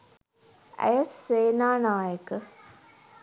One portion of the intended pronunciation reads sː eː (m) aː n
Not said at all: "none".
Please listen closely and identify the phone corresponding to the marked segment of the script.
n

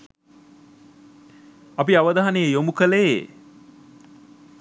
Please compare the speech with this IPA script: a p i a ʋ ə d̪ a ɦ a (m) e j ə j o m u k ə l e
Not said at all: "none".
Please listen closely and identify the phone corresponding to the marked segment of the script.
n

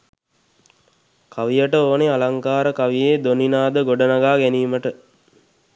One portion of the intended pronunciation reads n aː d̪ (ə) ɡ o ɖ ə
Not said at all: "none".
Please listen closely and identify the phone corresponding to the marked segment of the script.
ə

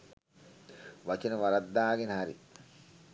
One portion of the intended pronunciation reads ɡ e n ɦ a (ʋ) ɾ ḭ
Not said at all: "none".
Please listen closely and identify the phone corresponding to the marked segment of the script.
none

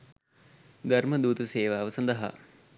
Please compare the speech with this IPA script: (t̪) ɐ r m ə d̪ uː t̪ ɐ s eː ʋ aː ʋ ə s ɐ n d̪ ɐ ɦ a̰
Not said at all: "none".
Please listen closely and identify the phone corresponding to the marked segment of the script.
d̪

